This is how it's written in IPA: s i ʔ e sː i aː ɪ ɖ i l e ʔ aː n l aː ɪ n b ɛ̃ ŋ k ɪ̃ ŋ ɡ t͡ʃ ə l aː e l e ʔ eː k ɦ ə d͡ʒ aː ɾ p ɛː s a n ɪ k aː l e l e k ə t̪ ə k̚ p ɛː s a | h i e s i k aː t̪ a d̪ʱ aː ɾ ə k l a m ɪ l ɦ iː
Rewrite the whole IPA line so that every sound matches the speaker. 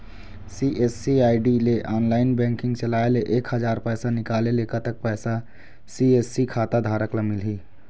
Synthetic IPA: s i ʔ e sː i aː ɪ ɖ i l e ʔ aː n l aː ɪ n b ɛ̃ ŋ k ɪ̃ ŋ ɡ t͡ʃ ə l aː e l e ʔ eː k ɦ ə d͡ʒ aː ɾ p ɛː s a n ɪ k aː l e l e k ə t̪ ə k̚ p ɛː s a | s i e s i kʰ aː t̪ a d̪ʱ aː ɾ ə k l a m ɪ l ɦ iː